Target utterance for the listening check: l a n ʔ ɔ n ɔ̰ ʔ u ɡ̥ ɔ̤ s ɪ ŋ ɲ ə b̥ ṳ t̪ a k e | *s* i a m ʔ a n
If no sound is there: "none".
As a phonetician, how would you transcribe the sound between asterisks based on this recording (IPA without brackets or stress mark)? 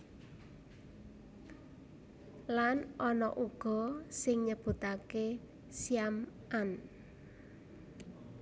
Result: s